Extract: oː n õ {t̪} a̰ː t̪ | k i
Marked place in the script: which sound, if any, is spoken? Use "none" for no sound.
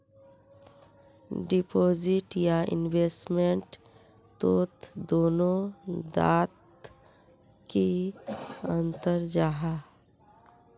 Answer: d̪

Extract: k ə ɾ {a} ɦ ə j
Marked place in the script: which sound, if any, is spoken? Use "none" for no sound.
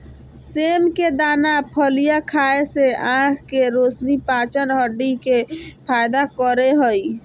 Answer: e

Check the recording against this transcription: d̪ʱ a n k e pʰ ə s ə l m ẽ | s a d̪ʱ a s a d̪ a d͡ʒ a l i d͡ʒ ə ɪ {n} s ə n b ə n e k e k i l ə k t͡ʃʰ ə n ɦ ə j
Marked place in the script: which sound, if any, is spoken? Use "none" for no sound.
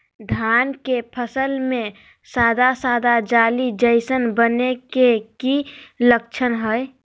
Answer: none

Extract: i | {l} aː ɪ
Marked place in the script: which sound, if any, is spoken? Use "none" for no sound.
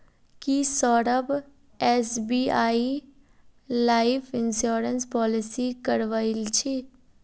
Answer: l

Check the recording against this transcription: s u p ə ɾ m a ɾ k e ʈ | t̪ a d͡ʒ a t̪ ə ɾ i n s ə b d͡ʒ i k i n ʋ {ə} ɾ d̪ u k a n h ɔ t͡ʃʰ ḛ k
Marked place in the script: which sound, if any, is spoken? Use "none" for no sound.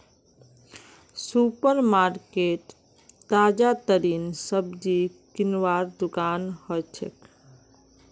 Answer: a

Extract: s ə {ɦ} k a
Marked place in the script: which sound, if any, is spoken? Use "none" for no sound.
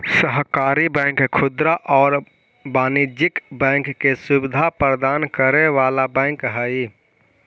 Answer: ɦ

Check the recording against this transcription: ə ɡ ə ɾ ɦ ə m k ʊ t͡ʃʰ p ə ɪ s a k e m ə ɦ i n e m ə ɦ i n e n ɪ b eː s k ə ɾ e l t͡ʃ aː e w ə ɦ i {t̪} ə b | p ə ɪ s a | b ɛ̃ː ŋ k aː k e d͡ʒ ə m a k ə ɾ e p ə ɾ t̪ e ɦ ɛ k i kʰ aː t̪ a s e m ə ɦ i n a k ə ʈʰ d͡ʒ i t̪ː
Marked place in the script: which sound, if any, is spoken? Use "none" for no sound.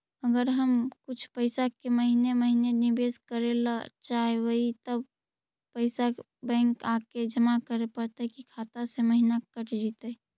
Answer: t̪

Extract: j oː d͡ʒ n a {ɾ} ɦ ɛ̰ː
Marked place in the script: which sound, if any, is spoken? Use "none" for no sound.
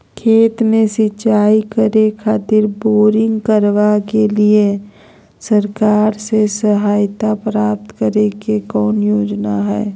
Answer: none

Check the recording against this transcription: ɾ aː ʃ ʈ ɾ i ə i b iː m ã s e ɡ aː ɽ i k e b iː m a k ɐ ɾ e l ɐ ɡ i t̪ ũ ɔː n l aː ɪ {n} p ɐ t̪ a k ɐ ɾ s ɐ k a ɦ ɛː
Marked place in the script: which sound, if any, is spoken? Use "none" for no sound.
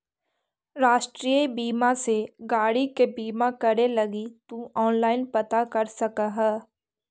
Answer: n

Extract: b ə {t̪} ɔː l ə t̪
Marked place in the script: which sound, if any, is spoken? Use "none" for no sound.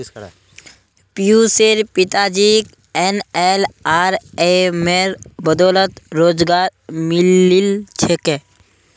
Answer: d̪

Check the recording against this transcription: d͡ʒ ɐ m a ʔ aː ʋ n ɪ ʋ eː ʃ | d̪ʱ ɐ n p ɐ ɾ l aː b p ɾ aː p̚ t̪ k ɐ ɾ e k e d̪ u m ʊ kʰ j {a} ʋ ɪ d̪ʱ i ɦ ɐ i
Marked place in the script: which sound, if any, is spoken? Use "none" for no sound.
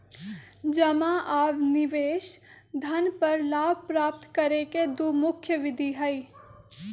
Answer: ə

